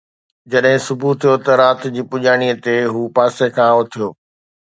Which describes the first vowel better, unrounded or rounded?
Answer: unrounded